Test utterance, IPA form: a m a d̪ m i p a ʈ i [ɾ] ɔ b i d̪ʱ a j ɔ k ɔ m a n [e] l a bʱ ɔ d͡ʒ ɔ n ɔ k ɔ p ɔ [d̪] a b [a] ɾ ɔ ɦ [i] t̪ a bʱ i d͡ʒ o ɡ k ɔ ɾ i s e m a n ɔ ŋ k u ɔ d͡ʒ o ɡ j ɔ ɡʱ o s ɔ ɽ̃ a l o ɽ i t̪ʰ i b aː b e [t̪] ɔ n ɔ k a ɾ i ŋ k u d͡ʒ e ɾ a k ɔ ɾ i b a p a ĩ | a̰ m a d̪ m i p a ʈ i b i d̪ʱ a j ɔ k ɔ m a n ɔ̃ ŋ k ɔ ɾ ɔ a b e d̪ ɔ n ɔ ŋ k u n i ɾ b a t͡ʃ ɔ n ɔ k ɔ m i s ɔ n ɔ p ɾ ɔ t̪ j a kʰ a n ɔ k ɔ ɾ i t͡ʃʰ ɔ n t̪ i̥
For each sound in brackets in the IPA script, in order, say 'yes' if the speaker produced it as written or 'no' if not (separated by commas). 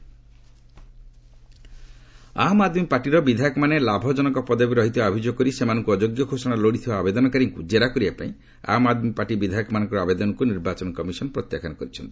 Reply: yes, yes, yes, no, yes, no